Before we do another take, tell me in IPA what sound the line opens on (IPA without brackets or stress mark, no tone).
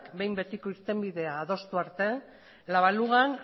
k